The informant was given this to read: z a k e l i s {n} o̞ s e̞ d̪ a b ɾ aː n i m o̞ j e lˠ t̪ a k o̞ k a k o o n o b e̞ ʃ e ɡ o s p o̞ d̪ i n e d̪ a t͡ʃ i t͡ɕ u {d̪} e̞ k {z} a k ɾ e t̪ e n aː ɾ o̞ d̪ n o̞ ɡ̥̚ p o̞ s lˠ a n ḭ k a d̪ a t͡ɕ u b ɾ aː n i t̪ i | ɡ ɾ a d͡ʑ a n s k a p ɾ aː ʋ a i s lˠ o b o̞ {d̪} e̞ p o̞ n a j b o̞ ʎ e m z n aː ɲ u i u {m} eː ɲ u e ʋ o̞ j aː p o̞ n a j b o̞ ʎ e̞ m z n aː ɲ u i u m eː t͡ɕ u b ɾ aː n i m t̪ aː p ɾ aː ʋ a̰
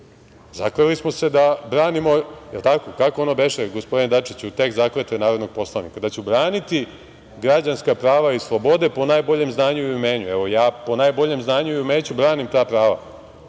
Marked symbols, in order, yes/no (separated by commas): no, no, yes, yes, yes